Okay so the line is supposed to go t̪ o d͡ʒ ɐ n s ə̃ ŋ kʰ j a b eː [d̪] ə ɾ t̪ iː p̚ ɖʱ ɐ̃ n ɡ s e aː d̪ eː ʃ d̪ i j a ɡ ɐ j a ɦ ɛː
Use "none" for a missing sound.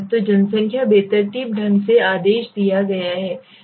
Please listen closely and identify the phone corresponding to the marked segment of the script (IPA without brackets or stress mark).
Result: t̪